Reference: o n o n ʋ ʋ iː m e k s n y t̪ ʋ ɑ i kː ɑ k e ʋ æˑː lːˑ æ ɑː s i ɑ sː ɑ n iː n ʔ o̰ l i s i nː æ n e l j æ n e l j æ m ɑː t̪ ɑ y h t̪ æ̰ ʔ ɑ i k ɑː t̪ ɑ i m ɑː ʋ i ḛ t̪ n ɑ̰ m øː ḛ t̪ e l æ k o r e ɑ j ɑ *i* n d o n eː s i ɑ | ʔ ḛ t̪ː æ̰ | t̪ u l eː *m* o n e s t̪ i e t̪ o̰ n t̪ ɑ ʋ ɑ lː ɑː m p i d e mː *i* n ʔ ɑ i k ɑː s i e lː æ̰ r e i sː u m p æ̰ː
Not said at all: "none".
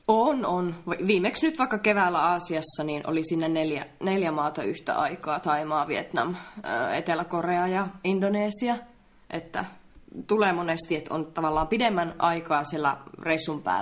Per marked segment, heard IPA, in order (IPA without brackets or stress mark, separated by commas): i, m, æ